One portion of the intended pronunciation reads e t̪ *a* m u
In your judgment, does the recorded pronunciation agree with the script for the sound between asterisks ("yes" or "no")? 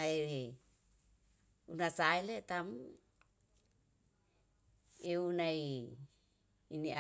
yes